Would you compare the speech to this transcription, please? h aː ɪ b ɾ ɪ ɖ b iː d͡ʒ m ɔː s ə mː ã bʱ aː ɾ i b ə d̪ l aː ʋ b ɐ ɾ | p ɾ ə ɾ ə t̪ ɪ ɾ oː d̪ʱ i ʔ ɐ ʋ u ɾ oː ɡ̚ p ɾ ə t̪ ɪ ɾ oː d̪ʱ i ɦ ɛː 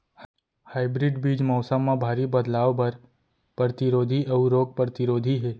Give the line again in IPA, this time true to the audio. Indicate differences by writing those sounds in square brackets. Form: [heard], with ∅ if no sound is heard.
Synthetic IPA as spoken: h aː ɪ b ɾ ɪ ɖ b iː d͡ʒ m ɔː s ə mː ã bʱ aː ɾ i b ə d̪ l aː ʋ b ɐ ɾ | p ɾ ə ɾ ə t̪ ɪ ɾ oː d̪ʱ i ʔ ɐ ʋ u ɾ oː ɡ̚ p ɾ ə t̪ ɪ ɾ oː d̪ʱ i ɦ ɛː